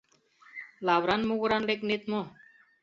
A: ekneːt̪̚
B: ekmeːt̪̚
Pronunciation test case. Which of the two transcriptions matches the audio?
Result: A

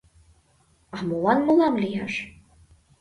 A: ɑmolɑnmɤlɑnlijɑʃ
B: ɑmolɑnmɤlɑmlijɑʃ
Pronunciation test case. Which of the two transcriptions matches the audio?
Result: B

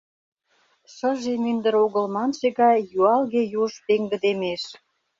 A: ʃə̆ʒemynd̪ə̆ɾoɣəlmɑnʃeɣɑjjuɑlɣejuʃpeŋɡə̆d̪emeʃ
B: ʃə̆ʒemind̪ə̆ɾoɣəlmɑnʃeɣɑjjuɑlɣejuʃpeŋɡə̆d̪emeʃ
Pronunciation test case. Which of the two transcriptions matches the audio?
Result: A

